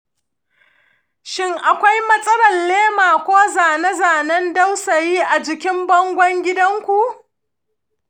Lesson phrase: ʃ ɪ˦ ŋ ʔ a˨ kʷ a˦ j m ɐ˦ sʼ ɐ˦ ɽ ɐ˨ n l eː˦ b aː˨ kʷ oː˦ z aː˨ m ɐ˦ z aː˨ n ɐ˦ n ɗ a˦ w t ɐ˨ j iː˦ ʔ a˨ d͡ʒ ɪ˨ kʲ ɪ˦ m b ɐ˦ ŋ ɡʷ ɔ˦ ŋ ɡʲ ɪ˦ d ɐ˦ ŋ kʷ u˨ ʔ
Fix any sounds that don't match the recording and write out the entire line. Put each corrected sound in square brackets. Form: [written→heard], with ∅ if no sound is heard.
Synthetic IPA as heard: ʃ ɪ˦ ŋ ʔ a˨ kʷ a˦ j m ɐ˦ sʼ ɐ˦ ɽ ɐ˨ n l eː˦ [b→m] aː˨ kʷ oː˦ z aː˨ [m→n] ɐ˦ z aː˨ n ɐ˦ n [ɗ→d] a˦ w [t→s] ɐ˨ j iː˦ ʔ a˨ d͡ʒ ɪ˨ kʲ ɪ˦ m b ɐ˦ ŋ ɡʷ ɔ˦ ŋ ɡʲ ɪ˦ d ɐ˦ ŋ kʷ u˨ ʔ